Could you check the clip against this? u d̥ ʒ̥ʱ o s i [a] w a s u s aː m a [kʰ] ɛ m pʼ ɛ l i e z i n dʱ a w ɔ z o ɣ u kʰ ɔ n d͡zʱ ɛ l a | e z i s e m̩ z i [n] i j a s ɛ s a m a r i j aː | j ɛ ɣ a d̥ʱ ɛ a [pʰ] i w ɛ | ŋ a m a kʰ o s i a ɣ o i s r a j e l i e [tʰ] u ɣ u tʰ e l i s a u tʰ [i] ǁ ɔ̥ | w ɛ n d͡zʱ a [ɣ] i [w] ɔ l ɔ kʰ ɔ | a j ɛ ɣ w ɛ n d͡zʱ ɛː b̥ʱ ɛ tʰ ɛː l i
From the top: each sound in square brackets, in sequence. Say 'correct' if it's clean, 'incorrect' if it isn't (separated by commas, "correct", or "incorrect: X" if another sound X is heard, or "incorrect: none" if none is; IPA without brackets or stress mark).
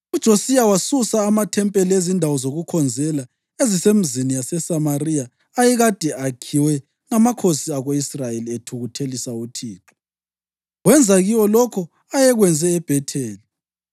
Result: correct, incorrect: tʰ, correct, incorrect: kʰ, correct, incorrect: iː, correct, correct